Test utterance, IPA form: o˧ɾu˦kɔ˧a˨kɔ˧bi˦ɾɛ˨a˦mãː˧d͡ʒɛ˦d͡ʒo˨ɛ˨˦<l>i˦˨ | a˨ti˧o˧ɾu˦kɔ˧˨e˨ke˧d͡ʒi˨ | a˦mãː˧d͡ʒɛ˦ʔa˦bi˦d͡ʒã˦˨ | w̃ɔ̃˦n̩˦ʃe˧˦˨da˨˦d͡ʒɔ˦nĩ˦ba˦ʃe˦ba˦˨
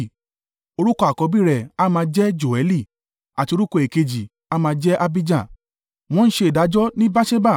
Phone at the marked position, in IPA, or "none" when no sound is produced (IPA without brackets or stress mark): l